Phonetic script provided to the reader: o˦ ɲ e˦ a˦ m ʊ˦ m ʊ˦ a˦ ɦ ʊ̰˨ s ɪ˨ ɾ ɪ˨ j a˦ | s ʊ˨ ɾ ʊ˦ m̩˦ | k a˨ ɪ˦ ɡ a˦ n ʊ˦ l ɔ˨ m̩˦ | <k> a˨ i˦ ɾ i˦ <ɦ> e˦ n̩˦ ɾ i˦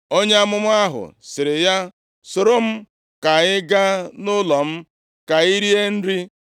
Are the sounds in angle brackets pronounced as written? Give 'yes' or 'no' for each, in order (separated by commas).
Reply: yes, no